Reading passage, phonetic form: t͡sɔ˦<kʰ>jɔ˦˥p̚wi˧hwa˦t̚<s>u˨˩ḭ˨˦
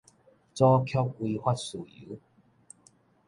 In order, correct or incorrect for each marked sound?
correct, correct

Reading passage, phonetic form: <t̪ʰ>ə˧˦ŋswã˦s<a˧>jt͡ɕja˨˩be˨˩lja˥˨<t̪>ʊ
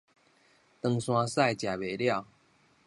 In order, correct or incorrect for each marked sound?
incorrect: t̪, incorrect: a˥˨, incorrect: none

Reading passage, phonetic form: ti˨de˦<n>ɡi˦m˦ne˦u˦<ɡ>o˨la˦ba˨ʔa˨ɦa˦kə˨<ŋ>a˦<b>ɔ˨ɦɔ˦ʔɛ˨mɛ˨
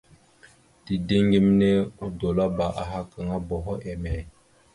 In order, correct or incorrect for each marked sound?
incorrect: ŋ, incorrect: d, correct, correct

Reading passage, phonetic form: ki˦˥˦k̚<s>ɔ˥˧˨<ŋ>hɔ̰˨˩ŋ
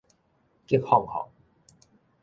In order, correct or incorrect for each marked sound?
incorrect: h, correct

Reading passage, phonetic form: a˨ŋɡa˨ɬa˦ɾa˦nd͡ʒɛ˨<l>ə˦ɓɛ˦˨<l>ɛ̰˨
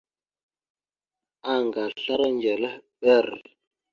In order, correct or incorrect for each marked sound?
correct, incorrect: ɾ

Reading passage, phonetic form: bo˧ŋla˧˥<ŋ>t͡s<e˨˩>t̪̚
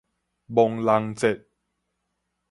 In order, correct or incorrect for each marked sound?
correct, correct

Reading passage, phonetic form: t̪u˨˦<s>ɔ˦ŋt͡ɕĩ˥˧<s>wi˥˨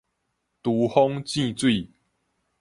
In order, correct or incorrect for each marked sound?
incorrect: h, incorrect: t͡s

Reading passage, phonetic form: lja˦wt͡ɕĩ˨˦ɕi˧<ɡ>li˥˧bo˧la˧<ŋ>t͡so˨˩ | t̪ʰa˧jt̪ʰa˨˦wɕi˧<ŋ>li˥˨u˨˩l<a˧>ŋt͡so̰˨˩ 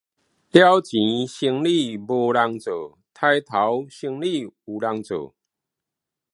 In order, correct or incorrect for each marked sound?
incorrect: ŋ, correct, correct, correct

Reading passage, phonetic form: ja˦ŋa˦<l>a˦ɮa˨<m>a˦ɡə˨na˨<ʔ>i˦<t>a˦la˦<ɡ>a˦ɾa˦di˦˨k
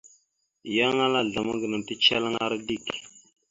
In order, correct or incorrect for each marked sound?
correct, correct, incorrect: t, incorrect: t͡ʃ, incorrect: ŋ

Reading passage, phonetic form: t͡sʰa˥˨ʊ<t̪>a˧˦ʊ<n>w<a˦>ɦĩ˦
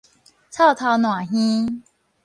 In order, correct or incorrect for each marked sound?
incorrect: t̪ʰ, correct, incorrect: a˨˩

